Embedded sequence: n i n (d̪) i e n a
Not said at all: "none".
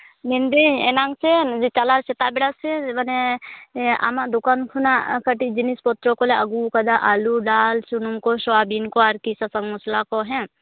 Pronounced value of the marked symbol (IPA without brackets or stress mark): d̪